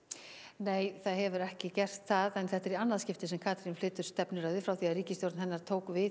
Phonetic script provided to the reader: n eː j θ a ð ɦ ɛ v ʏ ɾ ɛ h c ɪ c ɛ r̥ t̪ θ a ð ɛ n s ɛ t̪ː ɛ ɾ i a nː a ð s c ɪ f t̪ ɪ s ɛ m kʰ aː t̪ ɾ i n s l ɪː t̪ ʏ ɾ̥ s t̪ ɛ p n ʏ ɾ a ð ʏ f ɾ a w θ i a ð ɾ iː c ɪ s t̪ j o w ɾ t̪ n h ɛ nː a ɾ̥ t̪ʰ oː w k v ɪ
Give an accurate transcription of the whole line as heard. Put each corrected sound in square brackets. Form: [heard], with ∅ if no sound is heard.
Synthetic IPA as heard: n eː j θ a ð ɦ ɛ v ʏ ɾ ɛ h c ɪ c ɛ r̥ t̪ θ a ð ɛ n [θ] ɛ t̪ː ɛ ɾ i a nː a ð s c ɪ f t̪ ɪ s ɛ m kʰ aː t̪ ɾ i n [f] l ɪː t̪ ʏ ɾ̥ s t̪ ɛ p n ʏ ɾ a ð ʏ f ɾ a w θ i a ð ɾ iː c ɪ s t̪ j o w ɾ t̪ n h ɛ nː a ɾ̥ t̪ʰ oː w k v ɪ